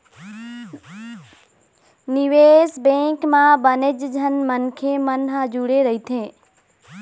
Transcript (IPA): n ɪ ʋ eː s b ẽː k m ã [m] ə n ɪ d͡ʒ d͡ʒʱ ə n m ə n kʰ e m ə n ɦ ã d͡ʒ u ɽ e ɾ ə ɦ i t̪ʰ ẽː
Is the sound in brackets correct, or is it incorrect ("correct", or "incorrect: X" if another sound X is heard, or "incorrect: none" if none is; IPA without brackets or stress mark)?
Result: incorrect: b